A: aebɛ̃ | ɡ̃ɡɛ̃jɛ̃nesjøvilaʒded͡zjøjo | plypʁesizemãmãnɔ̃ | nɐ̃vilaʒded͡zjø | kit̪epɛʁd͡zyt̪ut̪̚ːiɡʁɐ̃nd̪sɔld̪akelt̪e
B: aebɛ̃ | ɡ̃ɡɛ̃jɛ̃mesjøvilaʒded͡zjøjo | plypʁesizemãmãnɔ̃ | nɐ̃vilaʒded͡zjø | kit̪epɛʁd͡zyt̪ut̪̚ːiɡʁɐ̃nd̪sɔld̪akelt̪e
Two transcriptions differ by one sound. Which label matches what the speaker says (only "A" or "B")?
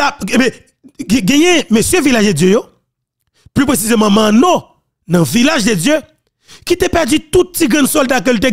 B